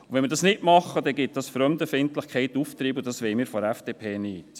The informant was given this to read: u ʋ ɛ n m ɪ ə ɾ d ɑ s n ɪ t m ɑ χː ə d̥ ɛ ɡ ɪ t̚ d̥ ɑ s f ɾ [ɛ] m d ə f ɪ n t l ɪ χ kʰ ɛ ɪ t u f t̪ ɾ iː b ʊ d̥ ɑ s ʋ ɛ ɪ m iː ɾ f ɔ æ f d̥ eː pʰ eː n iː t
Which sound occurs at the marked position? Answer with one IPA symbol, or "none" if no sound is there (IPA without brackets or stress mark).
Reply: œ